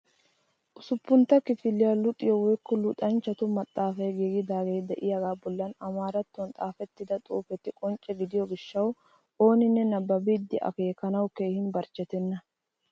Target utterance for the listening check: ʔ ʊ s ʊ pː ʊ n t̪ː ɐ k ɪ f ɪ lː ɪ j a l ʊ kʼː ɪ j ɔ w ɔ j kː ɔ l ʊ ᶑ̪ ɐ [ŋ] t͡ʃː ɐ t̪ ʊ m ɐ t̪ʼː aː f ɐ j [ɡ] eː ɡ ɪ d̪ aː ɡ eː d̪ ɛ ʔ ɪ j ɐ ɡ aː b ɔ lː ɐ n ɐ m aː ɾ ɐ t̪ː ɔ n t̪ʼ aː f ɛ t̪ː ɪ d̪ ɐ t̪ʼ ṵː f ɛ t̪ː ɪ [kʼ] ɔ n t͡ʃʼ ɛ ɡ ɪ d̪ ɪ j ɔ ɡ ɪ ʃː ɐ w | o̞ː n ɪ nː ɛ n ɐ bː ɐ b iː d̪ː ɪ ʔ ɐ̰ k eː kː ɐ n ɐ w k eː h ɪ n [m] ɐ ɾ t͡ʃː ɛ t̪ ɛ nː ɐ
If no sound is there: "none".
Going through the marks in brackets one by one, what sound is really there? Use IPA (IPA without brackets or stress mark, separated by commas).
n, ɡ, kʼ, b